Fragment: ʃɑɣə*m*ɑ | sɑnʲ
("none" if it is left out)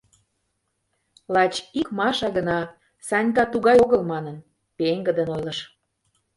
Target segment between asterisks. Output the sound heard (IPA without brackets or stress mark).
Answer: n